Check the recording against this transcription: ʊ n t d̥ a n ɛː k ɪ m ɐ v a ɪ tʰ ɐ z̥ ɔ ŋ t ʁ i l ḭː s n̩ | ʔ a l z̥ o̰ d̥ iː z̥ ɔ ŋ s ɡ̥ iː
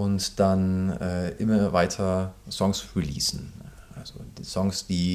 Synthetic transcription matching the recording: ʊ n t d̥ a n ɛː ʔ ɪ m ɐ v a ɪ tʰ ɐ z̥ ɔ ŋ s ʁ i l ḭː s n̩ | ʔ a l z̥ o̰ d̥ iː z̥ ɔ ŋ s d̥ iː